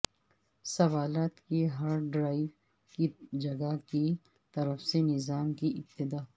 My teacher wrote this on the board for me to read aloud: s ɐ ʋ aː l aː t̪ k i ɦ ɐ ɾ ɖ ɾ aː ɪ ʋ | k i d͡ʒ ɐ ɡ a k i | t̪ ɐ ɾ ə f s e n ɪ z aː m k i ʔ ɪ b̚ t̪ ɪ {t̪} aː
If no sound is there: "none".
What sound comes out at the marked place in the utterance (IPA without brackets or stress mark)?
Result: d̪